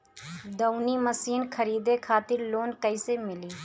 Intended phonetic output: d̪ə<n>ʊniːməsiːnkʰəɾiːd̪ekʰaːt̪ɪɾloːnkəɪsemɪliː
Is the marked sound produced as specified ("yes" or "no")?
no